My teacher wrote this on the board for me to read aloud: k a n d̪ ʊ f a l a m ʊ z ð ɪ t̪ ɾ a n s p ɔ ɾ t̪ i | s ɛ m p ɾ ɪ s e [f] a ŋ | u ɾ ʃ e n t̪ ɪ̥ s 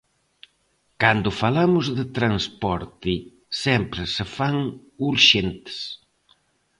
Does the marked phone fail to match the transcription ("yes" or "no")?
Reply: no